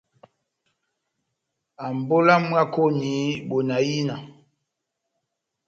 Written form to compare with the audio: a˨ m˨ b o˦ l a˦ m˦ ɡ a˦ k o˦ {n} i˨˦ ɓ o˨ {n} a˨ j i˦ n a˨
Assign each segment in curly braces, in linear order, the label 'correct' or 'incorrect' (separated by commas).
correct, correct